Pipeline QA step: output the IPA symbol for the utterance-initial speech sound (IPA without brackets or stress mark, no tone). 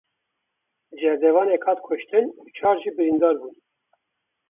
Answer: d͡ʒ